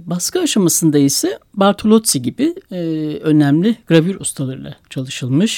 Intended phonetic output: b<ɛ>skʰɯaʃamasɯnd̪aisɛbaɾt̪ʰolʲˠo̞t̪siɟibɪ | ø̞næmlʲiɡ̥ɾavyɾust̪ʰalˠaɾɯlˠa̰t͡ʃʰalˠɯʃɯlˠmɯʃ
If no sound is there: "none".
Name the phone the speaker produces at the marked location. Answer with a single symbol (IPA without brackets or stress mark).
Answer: a